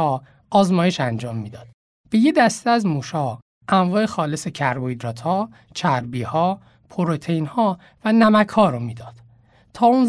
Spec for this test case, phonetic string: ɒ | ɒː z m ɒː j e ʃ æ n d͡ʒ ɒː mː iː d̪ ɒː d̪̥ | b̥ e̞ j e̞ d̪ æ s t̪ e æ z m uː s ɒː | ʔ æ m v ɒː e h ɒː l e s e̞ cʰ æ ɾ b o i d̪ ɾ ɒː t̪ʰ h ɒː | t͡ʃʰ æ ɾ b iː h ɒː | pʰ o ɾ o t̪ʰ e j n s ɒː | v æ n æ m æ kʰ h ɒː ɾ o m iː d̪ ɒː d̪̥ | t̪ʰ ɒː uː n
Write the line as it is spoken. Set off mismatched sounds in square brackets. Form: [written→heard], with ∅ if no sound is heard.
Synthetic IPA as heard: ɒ | ɒː z m ɒː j e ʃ æ n d͡ʒ ɒː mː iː d̪ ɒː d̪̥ | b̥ e̞ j e̞ d̪ æ s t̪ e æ z m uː [s→ʃ] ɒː | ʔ æ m v ɒː e [h→x] ɒː l e s e̞ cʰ æ ɾ b o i d̪ ɾ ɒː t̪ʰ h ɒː | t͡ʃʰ æ ɾ b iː h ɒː | pʰ o ɾ o t̪ʰ e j n [s→h] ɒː | v æ n æ m æ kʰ h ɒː ɾ o m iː d̪ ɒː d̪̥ | t̪ʰ ɒː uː n